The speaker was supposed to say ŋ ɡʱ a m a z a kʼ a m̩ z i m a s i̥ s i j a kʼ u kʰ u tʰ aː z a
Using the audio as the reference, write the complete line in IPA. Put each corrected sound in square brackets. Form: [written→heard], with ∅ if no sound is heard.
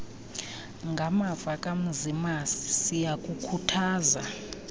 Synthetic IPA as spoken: ŋ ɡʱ a m a [z→v] a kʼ a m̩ z i m a s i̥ s i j a kʼ u kʰ u tʰ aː z a